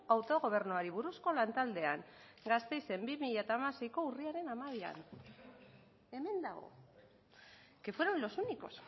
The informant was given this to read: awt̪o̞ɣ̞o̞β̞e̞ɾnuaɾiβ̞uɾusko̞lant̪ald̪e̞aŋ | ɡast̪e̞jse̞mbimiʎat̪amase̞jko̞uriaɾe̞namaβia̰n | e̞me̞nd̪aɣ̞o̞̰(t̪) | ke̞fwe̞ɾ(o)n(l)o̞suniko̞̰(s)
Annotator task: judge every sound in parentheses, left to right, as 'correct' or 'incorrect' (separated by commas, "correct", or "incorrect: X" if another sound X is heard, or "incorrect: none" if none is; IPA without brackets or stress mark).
incorrect: none, correct, correct, correct